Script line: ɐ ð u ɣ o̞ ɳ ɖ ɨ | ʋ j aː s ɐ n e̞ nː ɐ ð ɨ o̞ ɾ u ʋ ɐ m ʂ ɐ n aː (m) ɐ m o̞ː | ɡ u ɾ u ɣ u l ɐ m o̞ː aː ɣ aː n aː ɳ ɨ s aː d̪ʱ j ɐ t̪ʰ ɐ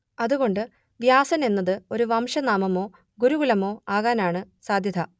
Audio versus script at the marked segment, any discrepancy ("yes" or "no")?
no